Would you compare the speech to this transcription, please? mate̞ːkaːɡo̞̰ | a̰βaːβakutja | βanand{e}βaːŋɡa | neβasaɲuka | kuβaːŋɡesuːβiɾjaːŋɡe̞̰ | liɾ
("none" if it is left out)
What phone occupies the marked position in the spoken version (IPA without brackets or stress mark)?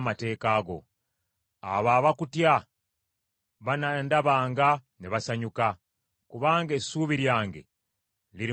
a